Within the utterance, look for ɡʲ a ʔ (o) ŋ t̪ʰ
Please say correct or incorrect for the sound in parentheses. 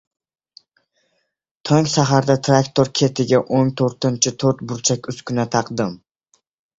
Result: correct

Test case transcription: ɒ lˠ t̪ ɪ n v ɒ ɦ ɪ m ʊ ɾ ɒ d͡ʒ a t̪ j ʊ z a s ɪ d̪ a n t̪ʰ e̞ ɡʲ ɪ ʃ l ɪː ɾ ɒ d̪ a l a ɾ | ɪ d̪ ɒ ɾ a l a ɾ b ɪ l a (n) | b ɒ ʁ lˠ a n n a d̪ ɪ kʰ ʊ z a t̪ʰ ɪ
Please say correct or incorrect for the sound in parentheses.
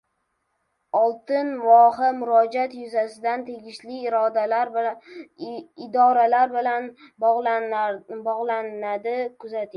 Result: correct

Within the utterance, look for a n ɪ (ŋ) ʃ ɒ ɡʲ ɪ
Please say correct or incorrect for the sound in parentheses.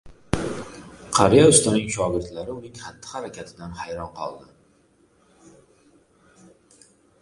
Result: correct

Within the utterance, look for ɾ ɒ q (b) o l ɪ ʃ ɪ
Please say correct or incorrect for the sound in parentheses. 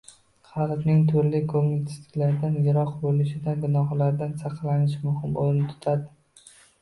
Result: correct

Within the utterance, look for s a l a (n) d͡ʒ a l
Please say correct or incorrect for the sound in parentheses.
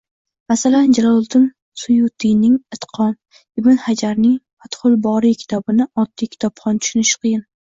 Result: correct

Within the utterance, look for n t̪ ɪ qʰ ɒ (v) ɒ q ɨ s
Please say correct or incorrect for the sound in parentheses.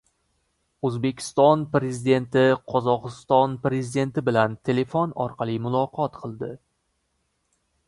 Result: incorrect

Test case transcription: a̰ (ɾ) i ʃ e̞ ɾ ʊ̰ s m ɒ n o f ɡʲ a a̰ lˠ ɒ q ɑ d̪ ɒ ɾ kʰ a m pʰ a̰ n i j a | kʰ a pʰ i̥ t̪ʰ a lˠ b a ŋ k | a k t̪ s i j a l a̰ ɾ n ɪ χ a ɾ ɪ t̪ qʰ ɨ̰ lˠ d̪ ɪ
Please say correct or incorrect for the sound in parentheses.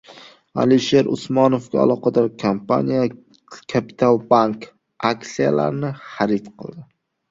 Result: incorrect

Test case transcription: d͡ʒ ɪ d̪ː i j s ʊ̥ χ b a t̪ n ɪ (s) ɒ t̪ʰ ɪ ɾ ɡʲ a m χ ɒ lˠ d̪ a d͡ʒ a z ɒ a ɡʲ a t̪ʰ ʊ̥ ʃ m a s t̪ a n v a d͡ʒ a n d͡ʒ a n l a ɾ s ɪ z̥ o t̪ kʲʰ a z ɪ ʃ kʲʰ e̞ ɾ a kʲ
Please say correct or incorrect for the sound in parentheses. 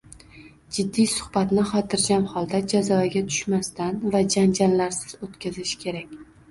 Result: incorrect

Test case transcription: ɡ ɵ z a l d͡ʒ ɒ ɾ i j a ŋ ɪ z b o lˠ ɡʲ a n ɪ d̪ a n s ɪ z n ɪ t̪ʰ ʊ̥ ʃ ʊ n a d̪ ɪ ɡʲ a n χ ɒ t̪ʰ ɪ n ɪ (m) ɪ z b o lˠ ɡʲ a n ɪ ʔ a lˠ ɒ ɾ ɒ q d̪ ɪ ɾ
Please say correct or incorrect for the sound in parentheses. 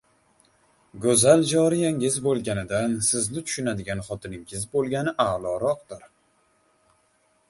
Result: incorrect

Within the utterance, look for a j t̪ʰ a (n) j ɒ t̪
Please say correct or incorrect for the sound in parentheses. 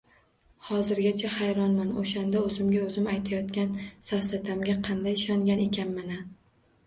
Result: incorrect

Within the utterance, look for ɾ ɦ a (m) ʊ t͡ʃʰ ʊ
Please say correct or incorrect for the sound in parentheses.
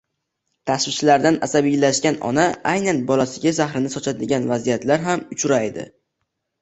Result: correct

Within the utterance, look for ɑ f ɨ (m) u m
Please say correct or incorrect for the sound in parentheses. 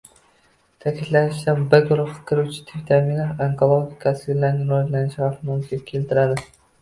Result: correct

